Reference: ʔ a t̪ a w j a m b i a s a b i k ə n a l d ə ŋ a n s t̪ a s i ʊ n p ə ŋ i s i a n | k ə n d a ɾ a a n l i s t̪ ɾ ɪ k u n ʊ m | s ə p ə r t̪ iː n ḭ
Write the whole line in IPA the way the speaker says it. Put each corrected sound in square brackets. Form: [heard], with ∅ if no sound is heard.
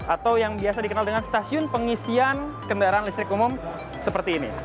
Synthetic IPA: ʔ a t̪ a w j a [ŋ] b i a s a [d] i k ə n a l d ə ŋ a n s t̪ a s i ʊ n p ə ŋ i s i a n | k ə n d a ɾ a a n l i s t̪ ɾ ɪ k u [m] ʊ m | s ə p ə r t̪ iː n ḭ